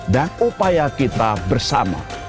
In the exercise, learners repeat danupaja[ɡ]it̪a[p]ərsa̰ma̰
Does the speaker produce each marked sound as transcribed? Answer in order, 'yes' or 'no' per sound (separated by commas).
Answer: no, no